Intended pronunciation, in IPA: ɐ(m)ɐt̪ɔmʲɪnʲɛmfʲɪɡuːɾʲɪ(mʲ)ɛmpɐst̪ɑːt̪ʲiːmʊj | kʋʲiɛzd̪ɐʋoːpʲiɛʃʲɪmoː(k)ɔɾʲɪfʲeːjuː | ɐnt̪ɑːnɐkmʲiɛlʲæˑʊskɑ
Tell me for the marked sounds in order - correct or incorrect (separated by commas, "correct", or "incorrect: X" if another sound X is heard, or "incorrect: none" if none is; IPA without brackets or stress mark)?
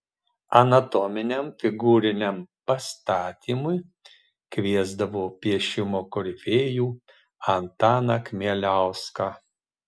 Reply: incorrect: n, incorrect: nʲ, correct